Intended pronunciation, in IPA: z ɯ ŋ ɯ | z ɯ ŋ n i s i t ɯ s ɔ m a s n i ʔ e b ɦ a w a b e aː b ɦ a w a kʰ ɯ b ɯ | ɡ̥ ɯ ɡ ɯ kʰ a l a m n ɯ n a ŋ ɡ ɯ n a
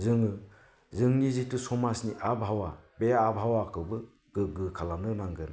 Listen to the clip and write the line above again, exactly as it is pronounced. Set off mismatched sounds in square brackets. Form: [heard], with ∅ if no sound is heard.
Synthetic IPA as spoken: z ɯ ŋ ɯ | z ɯ ŋ n i [z] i t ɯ s ɔ m a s n i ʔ [a] b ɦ a w a b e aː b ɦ a w a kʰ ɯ b ɯ | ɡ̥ ɯ ɡ ɯ kʰ a l a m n ɯ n a ŋ ɡ ɯ n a